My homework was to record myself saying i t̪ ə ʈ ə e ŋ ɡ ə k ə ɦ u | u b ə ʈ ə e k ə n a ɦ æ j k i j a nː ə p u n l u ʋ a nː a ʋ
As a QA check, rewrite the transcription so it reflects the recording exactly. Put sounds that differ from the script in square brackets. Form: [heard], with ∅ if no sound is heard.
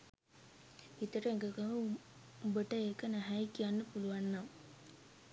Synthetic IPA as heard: i t̪ ə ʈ ə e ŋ ɡ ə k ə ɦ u | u b ə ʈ ə e k ə n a ɦ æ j k i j a nː ə p u [∅] l u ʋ a nː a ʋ